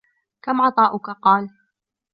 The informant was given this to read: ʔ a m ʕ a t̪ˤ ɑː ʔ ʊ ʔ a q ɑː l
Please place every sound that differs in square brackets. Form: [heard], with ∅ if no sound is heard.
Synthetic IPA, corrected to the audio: [k] a m ʕ [ɑ] t̪ˤ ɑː ʔ ʊ [k] a q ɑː l